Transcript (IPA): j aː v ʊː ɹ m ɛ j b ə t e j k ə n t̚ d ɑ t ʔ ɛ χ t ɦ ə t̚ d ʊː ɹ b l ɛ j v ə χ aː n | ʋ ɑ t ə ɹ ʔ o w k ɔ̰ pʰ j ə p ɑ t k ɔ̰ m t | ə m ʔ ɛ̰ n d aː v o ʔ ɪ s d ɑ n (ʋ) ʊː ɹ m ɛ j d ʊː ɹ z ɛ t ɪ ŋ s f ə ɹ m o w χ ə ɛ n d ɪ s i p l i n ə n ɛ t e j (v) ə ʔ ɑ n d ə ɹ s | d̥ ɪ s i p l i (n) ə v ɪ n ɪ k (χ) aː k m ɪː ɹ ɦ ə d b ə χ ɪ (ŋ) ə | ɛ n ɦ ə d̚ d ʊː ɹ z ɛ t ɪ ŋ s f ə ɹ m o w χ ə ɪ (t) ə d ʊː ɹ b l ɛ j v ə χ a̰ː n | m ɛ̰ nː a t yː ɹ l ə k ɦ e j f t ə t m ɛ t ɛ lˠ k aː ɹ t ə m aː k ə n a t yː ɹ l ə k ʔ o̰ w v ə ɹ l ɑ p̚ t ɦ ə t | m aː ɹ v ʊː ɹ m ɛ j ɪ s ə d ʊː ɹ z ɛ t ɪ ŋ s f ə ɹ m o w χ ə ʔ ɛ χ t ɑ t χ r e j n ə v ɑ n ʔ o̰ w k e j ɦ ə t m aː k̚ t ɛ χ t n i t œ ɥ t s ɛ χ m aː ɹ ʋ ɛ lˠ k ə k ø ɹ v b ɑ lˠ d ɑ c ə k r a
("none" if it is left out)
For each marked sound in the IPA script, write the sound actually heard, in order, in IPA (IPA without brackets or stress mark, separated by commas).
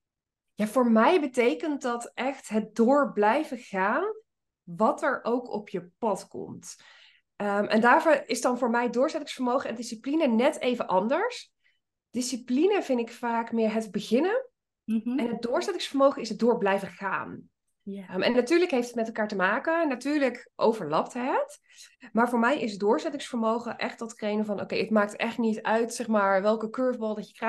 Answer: v, v, n, f, n, s